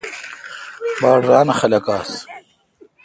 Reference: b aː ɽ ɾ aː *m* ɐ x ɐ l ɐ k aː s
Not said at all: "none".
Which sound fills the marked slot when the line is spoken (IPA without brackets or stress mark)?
n